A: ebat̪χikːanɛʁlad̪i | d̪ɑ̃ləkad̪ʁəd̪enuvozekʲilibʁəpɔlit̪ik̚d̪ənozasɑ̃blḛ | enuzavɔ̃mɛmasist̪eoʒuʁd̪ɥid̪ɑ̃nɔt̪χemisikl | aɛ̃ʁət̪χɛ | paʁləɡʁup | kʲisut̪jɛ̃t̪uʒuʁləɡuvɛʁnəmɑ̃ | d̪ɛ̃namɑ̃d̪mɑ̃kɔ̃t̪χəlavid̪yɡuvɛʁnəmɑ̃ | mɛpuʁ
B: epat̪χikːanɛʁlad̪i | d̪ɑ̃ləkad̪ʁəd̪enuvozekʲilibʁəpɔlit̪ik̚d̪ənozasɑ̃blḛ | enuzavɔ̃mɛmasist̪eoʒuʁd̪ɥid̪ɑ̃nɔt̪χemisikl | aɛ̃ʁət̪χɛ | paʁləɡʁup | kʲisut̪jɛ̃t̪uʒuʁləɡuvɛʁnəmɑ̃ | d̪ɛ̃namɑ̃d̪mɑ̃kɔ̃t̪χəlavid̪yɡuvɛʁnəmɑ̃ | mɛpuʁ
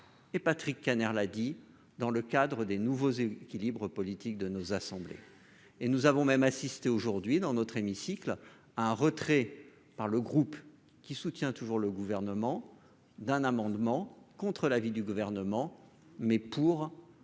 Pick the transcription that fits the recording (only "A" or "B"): B